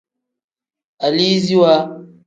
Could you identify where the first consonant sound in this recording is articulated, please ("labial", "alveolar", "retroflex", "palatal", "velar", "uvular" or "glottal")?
alveolar